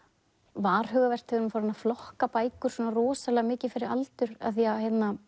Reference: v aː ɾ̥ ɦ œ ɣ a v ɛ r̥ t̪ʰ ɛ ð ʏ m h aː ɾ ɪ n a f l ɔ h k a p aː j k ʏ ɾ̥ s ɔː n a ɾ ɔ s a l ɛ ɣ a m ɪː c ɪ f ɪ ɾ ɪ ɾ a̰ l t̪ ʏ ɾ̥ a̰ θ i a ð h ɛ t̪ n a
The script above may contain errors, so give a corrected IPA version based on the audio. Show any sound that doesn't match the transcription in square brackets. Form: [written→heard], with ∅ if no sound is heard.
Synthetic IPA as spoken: v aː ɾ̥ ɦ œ ɣ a v ɛ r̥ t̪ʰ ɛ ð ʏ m [h→f] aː ɾ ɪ n a f l ɔ h k a p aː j k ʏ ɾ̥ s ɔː n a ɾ [ɔ→ɔː] s a l ɛ ɣ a m ɪː c ɪ f ɪ ɾ ɪ ɾ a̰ l t̪ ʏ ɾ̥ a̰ θ i a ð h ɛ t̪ n a